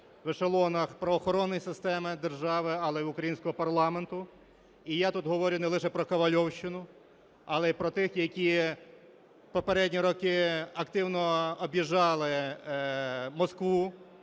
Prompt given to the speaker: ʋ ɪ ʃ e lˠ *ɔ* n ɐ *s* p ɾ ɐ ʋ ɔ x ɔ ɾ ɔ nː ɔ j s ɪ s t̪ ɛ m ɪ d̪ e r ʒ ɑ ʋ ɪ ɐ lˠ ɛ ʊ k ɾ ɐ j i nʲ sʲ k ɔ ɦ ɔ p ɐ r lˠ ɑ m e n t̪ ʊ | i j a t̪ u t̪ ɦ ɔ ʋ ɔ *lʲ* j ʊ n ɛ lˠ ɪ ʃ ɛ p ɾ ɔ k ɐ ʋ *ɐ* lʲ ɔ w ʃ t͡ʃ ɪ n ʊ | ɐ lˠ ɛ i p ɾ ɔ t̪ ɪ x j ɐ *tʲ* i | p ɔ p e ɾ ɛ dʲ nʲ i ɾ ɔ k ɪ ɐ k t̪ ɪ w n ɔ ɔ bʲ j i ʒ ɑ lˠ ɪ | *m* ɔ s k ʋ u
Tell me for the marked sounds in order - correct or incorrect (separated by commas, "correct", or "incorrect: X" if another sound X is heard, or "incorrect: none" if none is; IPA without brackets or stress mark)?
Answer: correct, incorrect: x, incorrect: ɾʲ, correct, incorrect: kʲ, correct